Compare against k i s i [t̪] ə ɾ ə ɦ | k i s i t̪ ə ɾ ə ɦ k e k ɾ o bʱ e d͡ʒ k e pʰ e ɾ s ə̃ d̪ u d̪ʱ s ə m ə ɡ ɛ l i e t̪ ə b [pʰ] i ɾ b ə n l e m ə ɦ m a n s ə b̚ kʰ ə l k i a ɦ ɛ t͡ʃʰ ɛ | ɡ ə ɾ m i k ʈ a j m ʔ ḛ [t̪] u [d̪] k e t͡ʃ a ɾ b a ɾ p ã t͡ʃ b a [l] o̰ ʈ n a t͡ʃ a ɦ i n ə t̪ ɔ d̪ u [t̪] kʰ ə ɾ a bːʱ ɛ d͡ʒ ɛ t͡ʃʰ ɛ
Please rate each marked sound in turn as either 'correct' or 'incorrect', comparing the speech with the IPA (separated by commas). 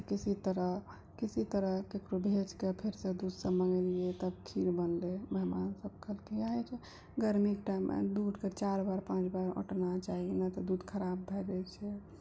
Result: correct, incorrect, incorrect, correct, incorrect, incorrect